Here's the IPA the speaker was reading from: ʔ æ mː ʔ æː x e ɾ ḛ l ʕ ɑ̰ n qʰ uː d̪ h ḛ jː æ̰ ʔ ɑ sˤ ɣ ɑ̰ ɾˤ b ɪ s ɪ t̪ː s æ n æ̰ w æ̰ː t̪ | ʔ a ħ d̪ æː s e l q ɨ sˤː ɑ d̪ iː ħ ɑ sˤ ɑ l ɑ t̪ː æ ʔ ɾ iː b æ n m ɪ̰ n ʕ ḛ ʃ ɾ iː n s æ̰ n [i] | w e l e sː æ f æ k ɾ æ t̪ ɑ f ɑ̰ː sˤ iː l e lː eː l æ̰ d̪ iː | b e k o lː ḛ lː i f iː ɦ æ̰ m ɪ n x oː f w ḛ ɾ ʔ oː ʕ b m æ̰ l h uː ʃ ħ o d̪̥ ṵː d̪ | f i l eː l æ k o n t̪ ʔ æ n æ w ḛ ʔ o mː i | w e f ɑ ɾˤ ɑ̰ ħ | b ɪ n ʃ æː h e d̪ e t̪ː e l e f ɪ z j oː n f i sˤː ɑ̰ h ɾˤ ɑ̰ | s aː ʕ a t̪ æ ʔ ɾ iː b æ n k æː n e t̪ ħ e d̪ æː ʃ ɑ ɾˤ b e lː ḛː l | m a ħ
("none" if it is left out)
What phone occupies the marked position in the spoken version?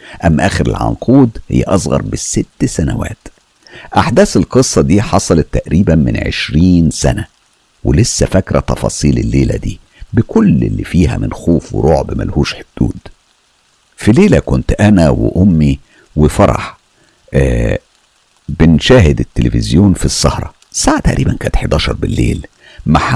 æ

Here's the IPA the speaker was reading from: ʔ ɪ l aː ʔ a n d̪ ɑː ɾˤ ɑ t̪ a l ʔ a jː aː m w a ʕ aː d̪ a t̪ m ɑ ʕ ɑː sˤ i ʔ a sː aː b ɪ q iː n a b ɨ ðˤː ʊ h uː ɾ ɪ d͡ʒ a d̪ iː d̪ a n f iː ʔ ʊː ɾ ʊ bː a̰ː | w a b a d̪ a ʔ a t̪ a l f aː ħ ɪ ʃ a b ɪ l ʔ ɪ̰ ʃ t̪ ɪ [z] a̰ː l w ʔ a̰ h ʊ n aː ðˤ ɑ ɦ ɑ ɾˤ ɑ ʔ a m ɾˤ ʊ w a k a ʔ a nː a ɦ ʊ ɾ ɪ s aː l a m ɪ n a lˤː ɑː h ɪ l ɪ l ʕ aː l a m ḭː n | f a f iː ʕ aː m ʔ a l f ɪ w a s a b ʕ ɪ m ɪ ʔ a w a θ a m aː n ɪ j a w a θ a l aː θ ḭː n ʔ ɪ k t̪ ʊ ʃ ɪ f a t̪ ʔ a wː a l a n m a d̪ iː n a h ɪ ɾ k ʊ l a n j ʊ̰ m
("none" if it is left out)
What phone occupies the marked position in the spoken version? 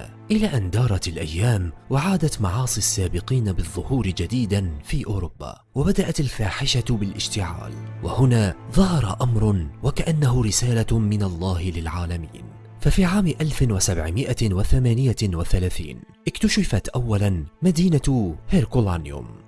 ʕ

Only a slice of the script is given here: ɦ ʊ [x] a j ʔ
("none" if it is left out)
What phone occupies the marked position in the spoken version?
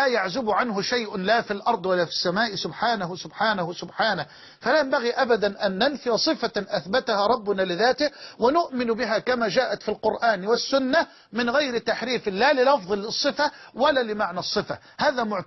ʃ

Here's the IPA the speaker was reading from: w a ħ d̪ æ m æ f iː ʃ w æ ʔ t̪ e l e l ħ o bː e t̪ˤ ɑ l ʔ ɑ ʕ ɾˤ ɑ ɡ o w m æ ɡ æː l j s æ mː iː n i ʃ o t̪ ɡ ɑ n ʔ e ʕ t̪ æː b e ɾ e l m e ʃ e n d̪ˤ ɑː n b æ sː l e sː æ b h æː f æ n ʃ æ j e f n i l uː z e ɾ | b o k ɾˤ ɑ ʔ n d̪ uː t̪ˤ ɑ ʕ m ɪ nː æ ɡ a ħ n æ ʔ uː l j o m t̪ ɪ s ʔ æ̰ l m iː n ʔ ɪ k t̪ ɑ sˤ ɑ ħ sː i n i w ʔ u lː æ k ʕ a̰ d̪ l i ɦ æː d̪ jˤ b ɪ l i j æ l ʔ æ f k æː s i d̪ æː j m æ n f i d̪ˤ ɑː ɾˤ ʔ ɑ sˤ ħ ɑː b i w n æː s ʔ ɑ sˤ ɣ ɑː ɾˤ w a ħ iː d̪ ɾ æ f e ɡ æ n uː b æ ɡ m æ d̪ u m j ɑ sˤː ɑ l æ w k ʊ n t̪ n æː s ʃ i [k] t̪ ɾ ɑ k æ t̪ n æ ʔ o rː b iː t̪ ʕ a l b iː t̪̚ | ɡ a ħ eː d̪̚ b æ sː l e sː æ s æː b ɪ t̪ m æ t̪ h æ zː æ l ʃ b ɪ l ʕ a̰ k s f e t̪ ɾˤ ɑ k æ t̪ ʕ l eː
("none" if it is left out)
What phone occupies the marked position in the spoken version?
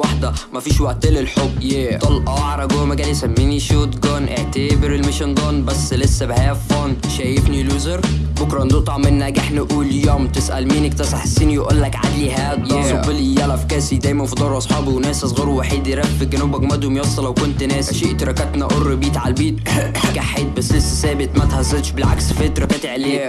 ʔ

